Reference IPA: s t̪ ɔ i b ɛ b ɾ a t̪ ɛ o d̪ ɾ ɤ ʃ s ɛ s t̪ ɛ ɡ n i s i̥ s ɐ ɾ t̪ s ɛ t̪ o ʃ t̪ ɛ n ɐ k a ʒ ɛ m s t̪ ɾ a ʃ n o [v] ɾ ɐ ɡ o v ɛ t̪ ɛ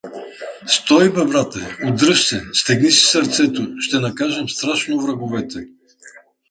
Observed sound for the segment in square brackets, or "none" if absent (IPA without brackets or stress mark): v